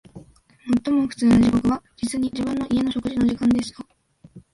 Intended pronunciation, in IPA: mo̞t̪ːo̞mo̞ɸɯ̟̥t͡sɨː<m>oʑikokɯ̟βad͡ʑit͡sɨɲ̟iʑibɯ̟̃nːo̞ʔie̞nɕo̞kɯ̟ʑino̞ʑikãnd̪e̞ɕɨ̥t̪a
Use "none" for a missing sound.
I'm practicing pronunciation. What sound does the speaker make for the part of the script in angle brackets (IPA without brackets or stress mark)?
n